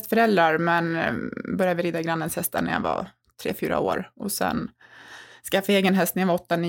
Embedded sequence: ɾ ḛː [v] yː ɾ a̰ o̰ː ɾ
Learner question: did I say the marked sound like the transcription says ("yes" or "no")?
no